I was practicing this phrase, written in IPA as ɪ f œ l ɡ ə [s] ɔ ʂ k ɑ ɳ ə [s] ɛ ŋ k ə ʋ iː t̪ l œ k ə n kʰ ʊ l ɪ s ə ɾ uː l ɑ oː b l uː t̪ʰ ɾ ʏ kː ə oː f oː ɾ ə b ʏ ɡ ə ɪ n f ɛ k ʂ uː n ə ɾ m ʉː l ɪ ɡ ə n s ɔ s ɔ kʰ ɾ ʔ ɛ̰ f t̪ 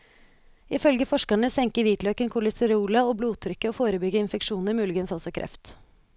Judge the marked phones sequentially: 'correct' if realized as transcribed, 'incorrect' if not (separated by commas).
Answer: incorrect, correct